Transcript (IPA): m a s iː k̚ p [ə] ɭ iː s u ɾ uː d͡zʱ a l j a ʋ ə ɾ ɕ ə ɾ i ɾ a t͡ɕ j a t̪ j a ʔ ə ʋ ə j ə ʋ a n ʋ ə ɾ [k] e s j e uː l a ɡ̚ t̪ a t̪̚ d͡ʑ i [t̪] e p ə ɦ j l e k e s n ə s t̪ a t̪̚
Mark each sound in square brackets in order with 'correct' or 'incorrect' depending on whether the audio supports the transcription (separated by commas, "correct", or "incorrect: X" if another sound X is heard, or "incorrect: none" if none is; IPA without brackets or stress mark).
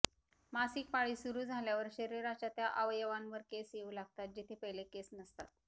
incorrect: a, correct, incorrect: t̪ʰ